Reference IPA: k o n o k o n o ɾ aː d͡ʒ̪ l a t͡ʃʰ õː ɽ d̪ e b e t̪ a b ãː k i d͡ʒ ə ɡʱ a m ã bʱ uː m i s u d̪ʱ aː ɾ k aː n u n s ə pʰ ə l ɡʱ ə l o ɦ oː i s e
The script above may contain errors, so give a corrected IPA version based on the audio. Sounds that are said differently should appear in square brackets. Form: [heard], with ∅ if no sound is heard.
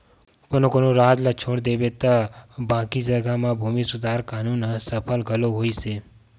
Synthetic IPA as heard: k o n o k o n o ɾ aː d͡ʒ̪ l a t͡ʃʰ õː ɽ d̪ e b e t̪ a b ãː k i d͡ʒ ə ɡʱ a m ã bʱ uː m i s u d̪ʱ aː ɾ k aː n u n s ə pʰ ə l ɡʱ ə l o ɦ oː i s e